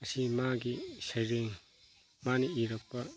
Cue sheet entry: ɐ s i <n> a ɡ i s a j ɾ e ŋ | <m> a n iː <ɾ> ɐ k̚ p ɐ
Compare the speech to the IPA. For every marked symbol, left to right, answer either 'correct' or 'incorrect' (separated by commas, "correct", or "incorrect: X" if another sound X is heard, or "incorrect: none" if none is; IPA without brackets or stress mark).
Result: incorrect: m, correct, correct